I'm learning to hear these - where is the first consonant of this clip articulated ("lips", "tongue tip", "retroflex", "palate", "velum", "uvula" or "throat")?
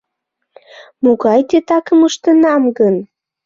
lips